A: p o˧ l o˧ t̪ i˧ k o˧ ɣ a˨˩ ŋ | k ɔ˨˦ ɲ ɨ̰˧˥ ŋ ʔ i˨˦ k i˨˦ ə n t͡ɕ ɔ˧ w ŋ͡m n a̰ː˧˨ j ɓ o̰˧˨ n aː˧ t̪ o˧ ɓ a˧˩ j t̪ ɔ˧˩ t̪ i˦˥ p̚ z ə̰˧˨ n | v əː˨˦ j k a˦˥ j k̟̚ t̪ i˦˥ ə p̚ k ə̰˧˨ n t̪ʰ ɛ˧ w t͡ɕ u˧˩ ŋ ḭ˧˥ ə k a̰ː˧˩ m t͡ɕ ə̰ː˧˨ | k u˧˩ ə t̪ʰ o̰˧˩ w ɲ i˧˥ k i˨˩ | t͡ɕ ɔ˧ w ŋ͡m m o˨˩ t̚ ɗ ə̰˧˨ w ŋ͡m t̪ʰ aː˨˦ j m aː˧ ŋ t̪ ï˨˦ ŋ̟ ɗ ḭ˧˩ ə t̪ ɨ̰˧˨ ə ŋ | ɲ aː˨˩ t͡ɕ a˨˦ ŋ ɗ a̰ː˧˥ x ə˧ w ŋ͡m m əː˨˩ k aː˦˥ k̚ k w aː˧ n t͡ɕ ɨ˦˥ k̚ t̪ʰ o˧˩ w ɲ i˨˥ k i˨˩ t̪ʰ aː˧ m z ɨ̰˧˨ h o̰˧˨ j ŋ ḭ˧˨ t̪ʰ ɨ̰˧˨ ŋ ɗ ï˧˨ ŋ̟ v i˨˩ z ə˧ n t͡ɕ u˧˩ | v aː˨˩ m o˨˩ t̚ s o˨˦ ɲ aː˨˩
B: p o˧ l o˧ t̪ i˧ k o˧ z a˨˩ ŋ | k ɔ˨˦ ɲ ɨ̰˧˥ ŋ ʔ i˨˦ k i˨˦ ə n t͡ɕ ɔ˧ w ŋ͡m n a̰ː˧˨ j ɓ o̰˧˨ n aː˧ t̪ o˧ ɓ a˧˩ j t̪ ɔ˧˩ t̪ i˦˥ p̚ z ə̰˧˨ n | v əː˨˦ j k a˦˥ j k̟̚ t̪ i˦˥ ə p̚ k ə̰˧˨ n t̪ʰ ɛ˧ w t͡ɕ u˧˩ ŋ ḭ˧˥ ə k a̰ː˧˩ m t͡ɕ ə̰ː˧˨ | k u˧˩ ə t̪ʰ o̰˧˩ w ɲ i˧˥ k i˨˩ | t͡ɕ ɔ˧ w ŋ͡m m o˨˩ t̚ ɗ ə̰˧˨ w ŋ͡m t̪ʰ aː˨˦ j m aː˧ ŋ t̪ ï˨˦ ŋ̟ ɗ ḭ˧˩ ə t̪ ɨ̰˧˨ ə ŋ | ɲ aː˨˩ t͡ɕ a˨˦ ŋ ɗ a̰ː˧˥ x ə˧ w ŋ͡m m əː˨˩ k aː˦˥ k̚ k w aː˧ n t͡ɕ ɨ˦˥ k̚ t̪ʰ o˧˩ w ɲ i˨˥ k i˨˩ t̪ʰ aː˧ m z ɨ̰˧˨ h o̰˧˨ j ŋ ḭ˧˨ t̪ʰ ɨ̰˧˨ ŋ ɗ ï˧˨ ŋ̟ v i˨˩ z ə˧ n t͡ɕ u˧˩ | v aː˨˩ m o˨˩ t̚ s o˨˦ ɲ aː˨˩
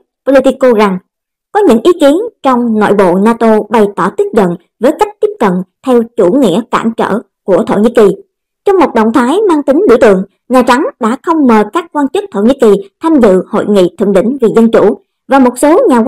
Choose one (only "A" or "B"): B